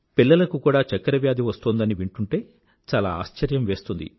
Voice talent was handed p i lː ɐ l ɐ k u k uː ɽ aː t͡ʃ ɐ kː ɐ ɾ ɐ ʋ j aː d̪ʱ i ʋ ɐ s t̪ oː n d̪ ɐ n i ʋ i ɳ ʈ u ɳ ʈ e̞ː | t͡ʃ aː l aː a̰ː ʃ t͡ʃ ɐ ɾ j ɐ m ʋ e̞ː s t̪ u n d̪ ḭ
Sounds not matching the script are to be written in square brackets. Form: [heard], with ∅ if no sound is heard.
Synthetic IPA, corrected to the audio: p i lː ɐ l ɐ k u k uː ɽ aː t͡ʃ ɐ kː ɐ ɾ ɐ ʋ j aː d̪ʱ i ʋ ɐ s t̪ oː n d̪ ɐ n i ʋ i ɳ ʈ u ɳ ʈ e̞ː | t͡ʃ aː l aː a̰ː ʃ t͡ʃ ɐ ɾ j ɐ m ʋ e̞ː s t̪ u n d̪ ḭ

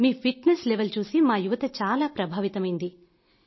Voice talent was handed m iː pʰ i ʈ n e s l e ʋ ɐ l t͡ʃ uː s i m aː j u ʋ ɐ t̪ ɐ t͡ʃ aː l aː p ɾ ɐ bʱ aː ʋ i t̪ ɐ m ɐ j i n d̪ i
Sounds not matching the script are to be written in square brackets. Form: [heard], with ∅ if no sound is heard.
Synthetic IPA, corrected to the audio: m iː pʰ i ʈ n e s l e ʋ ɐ l t͡ʃ uː s i m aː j u ʋ ɐ t̪ ɐ t͡ʃ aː l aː p ɾ ɐ bʱ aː ʋ i t̪ ɐ m ɐ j i n d̪ i

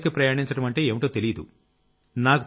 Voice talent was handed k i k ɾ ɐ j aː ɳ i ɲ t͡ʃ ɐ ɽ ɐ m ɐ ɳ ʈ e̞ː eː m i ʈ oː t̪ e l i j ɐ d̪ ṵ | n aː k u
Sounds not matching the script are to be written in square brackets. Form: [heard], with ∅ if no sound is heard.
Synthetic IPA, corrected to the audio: k i [p] ɾ ɐ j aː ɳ i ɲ t͡ʃ ɐ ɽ ɐ m ɐ ɳ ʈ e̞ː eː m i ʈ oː t̪ e l i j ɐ d̪ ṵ | n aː k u

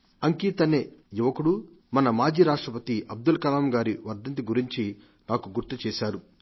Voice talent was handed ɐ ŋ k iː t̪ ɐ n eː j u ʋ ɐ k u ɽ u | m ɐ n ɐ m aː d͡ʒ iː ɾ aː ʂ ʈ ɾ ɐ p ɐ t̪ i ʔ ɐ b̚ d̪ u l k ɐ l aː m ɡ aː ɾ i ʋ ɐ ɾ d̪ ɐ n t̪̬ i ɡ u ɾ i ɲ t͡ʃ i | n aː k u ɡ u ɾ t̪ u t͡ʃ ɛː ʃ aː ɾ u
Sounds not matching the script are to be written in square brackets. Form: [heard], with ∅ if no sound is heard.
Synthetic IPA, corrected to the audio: ɐ ŋ k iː t̪ ɐ n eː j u ʋ ɐ k u ɽ u | m ɐ n ɐ m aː d͡ʒ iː ɾ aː ʂ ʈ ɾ ɐ p ɐ t̪ i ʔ ɐ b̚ d̪ u l k ɐ l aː m ɡ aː ɾ i ʋ ɐ ɾ d̪ ɐ n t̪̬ i ɡ u ɾ i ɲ t͡ʃ i | n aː k u ɡ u ɾ t̪ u t͡ʃ ɛː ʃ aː ɾ u

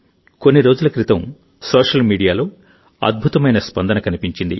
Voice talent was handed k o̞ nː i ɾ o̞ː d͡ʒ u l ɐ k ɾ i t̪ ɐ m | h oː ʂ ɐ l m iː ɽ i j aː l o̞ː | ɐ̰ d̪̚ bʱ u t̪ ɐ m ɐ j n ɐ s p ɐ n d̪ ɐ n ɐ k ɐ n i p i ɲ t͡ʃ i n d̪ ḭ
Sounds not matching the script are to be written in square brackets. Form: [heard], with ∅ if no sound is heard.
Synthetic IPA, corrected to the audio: k o̞ nː i ɾ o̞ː d͡ʒ u l ɐ k ɾ i t̪ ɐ m | [s] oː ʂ ɐ l m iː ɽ i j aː l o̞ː | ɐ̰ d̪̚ bʱ u t̪ ɐ m ɐ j n ɐ s p ɐ n d̪ ɐ n ɐ k ɐ n i p i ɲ t͡ʃ i n d̪ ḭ

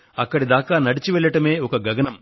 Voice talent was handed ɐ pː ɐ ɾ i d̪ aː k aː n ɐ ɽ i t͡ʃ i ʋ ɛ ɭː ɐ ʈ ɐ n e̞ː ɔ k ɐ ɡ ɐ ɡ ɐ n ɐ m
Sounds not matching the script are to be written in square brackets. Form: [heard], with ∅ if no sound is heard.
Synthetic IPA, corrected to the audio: ɐ [kː] ɐ [ɽ] i d̪ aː k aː n ɐ ɽ i t͡ʃ i ʋ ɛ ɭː ɐ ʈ ɐ [m] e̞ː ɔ k ɐ ɡ ɐ ɡ ɐ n ɐ m

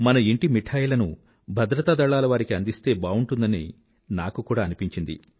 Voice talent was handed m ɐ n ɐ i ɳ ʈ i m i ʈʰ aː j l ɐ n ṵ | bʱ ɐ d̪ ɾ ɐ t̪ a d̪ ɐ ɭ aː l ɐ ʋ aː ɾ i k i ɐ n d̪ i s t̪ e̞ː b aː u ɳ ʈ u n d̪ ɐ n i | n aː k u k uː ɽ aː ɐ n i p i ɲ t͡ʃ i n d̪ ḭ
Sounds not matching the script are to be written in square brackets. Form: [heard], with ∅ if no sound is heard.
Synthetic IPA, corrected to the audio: m ɐ n ɐ i ɳ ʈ i m i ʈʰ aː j l ɐ n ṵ | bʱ ɐ d̪ ɾ ɐ t̪ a d̪ ɐ ɭ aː l ɐ ʋ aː ɾ i k i ɐ n d̪ i s t̪ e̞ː b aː u ɳ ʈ u n d̪ ɐ n i | n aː k u k uː ɽ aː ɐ n i p i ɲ t͡ʃ i n d̪ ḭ

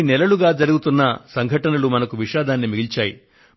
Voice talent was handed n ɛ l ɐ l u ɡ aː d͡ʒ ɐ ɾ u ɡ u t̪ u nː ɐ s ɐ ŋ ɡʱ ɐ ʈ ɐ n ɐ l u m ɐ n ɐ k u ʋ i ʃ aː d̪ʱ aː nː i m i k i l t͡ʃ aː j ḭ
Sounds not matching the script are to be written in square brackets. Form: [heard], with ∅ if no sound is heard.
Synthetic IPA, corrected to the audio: n ɛ l ɐ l u ɡ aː d͡ʒ ɐ ɾ u ɡ u t̪ u nː ɐ s ɐ ŋ ɡʱ ɐ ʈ ɐ n ɐ l u m ɐ n ɐ k u ʋ i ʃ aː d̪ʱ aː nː i m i [ɡ] i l t͡ʃ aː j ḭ

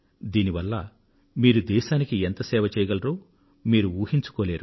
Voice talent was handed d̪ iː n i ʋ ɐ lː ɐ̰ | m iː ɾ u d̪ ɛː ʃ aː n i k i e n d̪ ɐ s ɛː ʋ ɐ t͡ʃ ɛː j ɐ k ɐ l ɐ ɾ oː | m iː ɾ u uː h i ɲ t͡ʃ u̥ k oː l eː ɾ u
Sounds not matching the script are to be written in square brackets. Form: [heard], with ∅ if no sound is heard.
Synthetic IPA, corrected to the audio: d̪ iː n i ʋ ɐ lː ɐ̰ | m iː ɾ u d̪ ɛː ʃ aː n i k i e n [t̪] ɐ s ɛː ʋ ɐ t͡ʃ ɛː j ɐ [ɡ] ɐ l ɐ ɾ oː | m iː ɾ u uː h i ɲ t͡ʃ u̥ k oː l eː ɾ u

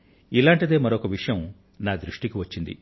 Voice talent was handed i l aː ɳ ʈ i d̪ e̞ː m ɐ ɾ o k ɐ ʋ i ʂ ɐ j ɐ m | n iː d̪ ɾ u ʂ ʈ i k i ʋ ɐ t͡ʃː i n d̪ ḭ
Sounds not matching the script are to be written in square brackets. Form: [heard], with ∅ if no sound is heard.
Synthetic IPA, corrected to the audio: i l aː ɳ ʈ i d̪ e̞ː m ɐ ɾ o k ɐ ʋ i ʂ ɐ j ɐ m | n [aː] d̪ ɾ u ʂ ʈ i k i ʋ ɐ t͡ʃː i n d̪ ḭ

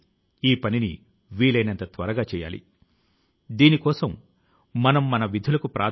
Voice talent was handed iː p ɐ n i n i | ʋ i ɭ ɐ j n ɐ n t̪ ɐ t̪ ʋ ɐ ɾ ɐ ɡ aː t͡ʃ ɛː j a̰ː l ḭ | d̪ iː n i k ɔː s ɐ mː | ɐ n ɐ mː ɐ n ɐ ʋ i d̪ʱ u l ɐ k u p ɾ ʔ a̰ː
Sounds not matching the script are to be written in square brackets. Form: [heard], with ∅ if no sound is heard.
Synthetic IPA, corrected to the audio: iː p ɐ n i n i | ʋ [iː] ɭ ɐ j n ɐ n t̪ ɐ t̪ ʋ ɐ ɾ ɐ ɡ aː t͡ʃ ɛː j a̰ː l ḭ | d̪ iː n i k ɔː s ɐ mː | ɐ n ɐ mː ɐ n ɐ ʋ i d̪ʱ u l ɐ k u p ɾ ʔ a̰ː

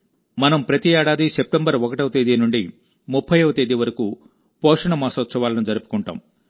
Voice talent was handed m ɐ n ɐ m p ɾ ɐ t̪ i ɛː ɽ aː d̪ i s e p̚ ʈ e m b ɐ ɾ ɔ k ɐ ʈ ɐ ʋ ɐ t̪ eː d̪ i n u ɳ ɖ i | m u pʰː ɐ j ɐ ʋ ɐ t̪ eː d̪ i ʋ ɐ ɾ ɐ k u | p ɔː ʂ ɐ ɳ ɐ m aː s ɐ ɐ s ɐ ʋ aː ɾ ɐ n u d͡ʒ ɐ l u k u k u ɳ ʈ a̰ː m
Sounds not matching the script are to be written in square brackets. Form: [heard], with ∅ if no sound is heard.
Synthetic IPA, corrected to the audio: m ɐ n ɐ m p ɾ ɐ t̪ i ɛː ɽ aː d̪ i s e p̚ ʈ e m b ɐ ɾ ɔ k ɐ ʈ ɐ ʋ ɐ t̪ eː d̪ i n u ɳ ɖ i | m u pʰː ɐ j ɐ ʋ ɐ t̪ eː d̪ i ʋ ɐ ɾ ɐ k u | p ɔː ʂ ɐ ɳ ɐ m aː s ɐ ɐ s ɐ ʋ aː [l] ɐ n u d͡ʒ ɐ [ɾ] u [p] u k u ɳ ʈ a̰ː m

